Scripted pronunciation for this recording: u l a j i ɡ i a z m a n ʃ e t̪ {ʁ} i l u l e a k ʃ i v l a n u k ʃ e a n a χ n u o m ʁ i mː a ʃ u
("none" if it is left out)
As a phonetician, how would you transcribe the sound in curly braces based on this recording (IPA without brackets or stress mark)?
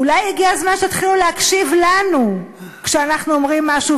χ